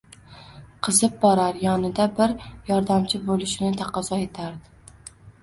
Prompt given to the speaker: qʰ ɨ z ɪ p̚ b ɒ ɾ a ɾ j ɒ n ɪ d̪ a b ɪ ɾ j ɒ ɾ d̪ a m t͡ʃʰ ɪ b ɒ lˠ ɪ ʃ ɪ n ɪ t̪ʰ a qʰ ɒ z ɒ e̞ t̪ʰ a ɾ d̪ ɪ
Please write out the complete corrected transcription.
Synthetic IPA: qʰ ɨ z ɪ p̚ b ɒ ɾ a ɾ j ɒ n ɪ d̪ a b ɪ ɾ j ɒ ɾ d̪ a m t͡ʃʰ ɪ b o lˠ ɪ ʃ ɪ n ɪ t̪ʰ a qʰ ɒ z ɒ e̞ t̪ʰ a ɾ d̪ ɪ